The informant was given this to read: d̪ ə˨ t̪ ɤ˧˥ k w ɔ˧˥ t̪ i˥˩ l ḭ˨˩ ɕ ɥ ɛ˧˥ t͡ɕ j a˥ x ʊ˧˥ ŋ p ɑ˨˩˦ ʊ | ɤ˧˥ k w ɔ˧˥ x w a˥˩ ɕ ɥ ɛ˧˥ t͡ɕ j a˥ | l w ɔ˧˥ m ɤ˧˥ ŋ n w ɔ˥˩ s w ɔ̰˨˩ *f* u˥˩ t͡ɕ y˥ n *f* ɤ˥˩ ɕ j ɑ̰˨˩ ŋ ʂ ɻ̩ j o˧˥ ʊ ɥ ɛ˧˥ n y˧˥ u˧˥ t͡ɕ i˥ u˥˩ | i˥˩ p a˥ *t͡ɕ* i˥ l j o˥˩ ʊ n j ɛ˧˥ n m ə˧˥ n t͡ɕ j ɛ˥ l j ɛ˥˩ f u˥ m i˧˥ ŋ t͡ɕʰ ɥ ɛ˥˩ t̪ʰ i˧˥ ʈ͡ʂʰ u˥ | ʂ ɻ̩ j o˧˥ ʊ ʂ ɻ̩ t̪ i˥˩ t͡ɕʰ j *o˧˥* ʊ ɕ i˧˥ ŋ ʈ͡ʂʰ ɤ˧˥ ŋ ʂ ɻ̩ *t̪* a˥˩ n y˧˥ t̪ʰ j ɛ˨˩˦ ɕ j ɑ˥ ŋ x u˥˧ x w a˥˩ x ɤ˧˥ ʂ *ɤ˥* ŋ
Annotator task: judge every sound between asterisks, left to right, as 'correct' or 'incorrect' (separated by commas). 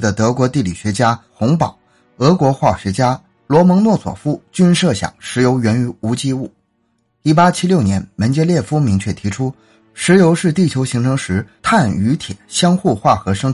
correct, incorrect, incorrect, correct, incorrect, correct